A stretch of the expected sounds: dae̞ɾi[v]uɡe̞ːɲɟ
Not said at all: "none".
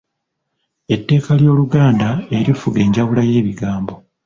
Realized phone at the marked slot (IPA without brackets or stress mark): f